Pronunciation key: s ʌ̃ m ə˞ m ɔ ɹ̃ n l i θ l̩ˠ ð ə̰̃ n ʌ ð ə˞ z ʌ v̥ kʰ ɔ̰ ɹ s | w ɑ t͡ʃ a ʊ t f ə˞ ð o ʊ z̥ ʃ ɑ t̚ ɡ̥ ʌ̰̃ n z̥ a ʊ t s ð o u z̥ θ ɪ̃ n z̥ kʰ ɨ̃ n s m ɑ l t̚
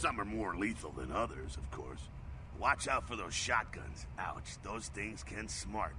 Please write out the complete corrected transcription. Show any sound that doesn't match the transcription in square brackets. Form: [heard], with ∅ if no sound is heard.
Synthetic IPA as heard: s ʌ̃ m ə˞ m ɔ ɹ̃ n l i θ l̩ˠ ð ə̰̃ n ʌ ð ə˞ z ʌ v̥ kʰ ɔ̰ ɹ s | w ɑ t͡ʃ a ʊ t f ə˞ ð o ʊ z̥ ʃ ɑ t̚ ɡ̥ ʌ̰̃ n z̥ a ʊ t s ð o [ʊ] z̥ θ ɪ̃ [ŋ] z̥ kʰ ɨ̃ n s m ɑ [ɹ] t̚